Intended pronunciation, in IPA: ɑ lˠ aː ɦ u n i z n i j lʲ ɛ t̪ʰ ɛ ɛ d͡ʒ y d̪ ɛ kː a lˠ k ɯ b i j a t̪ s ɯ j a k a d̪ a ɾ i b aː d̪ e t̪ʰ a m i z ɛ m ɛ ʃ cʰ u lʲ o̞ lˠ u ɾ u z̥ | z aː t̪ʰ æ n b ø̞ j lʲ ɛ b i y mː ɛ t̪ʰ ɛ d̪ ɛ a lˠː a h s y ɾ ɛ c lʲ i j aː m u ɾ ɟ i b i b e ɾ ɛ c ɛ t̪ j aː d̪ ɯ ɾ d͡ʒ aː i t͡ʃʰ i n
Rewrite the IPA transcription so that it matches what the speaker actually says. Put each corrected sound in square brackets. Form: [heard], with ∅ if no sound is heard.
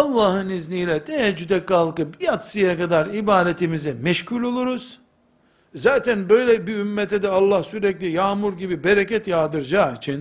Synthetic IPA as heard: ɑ [lˠː] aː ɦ [ɯ] n i z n i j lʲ ɛ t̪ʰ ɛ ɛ d͡ʒ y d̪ ɛ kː a lˠ k ɯ b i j a t̪ s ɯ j a k a d̪ a ɾ i b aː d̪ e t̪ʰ [i] m i z ɛ m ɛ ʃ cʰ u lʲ o̞ lˠ u ɾ u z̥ | z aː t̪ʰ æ n b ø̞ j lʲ ɛ b i y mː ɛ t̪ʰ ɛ d̪ ɛ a lˠː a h s y ɾ ɛ c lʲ i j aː m u ɾ ɟ i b i b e ɾ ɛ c ɛ t̪ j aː d̪ ɯ ɾ d͡ʒ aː i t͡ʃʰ i n